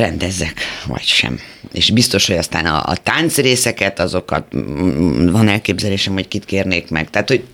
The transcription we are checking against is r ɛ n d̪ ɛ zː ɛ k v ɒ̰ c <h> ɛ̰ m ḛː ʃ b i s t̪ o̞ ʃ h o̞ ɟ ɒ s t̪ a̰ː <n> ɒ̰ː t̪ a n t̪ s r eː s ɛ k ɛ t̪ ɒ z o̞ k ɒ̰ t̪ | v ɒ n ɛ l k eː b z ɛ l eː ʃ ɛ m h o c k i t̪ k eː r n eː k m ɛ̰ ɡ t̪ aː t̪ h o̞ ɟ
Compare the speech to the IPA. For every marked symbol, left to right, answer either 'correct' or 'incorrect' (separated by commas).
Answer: incorrect, correct